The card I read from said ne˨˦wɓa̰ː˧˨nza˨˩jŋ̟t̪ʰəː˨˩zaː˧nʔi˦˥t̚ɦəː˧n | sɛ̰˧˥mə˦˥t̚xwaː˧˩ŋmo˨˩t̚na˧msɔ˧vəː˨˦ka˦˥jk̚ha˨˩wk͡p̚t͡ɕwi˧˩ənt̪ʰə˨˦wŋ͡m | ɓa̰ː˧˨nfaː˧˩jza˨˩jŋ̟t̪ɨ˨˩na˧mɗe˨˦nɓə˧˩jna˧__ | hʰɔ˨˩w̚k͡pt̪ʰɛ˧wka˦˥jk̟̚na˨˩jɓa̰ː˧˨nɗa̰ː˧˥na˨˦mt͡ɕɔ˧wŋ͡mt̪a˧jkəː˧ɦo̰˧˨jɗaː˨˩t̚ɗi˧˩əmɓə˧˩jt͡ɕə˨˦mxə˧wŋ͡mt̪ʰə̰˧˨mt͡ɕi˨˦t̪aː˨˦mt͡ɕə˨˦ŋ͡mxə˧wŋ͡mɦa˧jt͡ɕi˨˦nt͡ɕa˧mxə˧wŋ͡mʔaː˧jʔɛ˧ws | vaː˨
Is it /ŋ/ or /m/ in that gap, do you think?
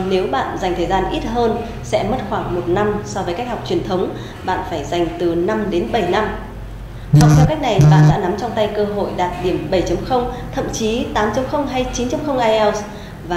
m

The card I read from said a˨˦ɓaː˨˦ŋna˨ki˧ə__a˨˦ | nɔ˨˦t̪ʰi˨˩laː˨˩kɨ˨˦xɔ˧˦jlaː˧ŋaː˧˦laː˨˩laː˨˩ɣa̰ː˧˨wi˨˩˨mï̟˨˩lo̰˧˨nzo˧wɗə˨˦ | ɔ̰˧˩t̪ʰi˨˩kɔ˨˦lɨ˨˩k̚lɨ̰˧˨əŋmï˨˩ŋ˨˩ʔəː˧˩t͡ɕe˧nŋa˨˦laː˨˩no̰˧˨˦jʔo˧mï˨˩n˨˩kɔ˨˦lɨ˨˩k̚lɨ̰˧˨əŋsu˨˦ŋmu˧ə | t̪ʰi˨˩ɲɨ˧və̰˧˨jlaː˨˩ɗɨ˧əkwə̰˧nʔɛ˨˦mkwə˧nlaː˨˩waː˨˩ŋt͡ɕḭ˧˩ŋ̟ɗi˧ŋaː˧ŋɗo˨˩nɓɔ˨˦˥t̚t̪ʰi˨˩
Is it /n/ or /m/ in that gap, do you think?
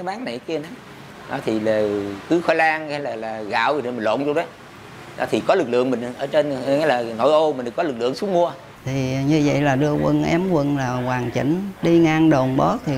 n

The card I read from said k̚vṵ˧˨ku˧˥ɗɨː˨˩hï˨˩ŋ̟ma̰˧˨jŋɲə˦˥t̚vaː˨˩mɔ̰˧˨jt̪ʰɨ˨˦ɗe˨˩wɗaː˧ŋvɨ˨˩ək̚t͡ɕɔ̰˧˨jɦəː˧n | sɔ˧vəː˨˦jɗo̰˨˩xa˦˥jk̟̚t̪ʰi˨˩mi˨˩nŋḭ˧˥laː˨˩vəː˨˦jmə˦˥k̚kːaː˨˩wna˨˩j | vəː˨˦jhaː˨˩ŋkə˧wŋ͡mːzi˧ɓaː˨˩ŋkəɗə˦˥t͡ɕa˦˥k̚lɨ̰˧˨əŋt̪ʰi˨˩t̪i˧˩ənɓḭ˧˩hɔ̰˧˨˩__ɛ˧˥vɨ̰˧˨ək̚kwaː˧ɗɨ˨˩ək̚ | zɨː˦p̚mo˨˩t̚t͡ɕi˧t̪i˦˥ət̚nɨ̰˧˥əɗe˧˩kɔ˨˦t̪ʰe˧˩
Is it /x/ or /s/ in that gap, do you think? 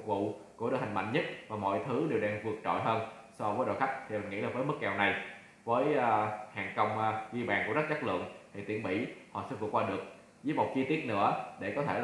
s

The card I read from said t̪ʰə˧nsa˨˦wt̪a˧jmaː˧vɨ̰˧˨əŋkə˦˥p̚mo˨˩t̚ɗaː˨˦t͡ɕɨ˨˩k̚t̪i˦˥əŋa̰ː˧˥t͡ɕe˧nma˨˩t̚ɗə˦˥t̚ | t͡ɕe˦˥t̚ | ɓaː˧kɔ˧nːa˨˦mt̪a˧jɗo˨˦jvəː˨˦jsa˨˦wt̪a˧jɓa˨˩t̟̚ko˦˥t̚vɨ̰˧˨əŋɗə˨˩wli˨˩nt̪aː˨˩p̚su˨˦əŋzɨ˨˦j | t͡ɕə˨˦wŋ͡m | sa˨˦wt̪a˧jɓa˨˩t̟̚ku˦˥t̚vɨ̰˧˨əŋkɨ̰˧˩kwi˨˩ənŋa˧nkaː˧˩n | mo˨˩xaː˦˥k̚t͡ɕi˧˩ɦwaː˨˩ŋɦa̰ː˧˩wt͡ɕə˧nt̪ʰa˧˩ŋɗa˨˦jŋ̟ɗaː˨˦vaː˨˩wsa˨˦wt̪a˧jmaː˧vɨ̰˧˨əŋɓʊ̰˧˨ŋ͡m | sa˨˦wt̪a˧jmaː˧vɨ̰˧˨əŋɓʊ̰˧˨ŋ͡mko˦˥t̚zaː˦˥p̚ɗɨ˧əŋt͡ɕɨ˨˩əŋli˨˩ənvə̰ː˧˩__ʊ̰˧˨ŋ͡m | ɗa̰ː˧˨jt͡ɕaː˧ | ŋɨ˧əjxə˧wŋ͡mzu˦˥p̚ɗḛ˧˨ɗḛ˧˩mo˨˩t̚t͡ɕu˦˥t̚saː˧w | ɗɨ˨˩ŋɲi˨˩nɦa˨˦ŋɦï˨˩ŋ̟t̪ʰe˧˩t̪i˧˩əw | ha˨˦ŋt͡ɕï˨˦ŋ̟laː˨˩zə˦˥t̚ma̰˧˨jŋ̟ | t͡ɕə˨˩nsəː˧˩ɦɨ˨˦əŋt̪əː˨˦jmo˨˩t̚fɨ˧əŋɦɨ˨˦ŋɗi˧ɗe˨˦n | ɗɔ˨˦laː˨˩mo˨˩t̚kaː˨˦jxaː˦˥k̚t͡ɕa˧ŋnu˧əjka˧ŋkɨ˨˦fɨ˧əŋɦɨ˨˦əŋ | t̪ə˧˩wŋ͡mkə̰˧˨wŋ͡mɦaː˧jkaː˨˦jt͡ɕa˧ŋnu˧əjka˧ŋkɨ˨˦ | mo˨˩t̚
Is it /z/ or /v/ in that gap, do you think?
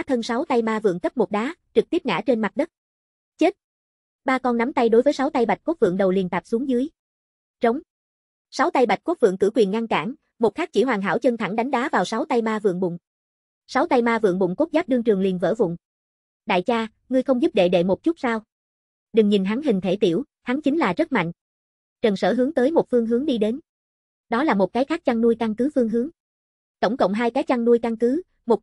v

